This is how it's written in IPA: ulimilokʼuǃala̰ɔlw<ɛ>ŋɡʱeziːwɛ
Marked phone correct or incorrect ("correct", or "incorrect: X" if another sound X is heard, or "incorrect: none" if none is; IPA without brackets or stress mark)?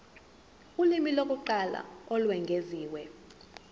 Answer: correct